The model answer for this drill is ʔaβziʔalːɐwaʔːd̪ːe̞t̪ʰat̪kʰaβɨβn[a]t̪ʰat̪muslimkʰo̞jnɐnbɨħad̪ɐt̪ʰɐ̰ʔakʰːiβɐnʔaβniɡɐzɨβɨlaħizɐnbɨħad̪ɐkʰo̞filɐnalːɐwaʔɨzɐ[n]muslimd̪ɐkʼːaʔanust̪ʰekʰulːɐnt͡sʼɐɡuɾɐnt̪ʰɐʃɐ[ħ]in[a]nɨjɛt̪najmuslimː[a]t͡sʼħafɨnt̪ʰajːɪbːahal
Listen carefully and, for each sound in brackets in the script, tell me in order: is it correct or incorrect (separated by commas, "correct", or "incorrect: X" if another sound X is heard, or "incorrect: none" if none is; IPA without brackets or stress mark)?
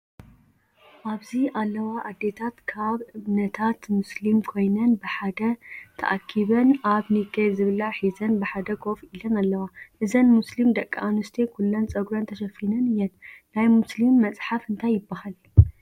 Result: incorrect: ɐ, correct, incorrect: f, incorrect: ɐ, incorrect: ɐ